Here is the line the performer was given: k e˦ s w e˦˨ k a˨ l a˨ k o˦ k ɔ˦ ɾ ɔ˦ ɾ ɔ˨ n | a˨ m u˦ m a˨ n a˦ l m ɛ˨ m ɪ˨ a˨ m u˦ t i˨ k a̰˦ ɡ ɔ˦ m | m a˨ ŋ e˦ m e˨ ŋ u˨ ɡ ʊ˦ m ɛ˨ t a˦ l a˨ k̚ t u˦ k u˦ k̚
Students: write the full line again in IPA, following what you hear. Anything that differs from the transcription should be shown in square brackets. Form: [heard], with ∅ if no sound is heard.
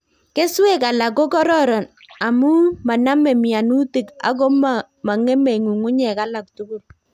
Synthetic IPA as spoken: k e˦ s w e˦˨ k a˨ l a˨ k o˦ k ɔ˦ ɾ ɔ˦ ɾ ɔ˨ n | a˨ m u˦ m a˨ n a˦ [∅] m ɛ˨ m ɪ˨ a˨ [n] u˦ t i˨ k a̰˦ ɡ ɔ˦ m | m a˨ ŋ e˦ m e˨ ŋ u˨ [ŋ] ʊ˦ [ɲ] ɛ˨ [k] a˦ l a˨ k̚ t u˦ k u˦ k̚